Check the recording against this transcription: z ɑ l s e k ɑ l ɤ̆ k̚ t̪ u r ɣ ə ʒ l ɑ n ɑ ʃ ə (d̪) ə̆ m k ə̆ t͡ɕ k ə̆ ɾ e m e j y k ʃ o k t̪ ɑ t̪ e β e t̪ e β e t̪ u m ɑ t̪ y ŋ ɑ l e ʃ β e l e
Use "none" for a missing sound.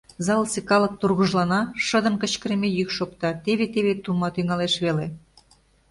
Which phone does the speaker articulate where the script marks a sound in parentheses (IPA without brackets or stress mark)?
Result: d̪